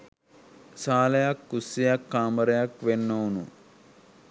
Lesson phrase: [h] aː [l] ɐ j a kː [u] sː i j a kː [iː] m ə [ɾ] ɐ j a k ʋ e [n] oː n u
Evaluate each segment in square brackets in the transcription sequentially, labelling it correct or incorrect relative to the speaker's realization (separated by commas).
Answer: incorrect, correct, correct, incorrect, correct, incorrect